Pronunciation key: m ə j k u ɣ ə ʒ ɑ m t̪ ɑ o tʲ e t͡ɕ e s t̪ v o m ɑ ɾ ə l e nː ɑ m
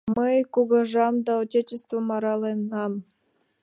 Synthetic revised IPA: m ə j k u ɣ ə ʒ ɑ m d̪ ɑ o tʲ e t͡ɕ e s t̪ v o m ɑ ɾ ɑ l e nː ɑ m